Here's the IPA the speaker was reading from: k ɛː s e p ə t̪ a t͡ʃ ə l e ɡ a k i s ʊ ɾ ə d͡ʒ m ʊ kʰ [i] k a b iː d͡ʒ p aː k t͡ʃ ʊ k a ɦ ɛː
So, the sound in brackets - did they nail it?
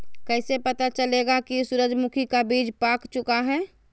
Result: yes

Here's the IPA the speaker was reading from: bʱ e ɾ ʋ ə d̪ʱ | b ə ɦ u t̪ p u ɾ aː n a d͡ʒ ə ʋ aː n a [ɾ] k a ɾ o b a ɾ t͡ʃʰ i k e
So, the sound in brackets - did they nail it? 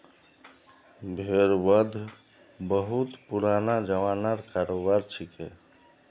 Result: yes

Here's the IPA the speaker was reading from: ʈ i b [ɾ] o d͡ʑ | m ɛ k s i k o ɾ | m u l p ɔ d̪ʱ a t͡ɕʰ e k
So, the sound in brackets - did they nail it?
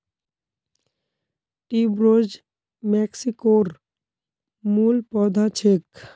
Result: yes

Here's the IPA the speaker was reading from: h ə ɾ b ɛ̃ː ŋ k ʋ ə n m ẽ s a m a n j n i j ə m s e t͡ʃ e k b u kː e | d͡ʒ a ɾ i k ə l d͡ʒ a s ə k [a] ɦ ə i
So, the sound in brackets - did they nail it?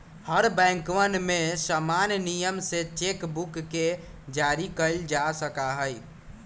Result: yes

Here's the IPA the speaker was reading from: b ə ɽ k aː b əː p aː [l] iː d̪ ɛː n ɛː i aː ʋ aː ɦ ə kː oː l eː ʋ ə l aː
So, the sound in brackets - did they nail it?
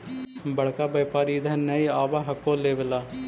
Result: no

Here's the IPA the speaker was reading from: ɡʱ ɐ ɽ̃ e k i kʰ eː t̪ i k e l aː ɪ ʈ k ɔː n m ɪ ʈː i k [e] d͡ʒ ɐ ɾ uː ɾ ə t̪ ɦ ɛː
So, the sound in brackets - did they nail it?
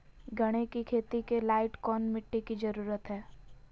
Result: no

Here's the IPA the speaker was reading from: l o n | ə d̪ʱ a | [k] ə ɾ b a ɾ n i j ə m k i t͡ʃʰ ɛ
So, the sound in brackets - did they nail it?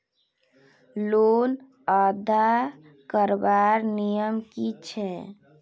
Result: yes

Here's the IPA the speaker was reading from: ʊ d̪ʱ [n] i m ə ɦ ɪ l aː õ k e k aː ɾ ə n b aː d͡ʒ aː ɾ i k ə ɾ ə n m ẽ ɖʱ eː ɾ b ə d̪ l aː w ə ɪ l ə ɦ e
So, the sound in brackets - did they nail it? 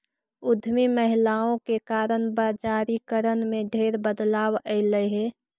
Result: no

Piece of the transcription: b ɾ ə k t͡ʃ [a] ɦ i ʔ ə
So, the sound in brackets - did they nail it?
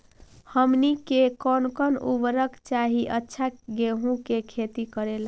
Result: yes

